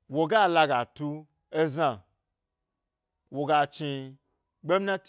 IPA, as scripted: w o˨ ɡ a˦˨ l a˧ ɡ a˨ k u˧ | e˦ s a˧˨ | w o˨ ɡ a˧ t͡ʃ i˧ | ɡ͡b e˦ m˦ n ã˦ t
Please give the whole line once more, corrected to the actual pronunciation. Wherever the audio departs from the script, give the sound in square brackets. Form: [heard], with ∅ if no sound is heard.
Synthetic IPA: w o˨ ɡ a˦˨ l a˧ ɡ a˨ [t] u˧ | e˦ [z] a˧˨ | w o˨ ɡ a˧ t͡ʃ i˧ | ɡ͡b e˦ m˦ n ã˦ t